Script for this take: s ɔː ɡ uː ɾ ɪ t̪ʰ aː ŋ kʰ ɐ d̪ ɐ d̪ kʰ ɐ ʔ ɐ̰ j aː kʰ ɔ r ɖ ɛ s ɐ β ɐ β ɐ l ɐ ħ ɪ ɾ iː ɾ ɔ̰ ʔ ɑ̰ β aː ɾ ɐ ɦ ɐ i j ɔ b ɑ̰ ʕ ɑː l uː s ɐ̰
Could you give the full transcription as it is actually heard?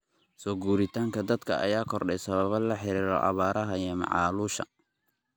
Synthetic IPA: s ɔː ɡ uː ɾ ɪ t̪ʰ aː ŋ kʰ ɐ d̪ ɐ d̪ kʰ ɐ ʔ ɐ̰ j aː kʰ ɔ r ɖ ɛ s ɐ β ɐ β ɐ l ɐ ħ ɪ ɾ iː ɾ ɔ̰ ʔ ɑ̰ β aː ɾ ɐ ɦ ɐ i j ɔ m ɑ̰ ʕ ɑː l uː ʃ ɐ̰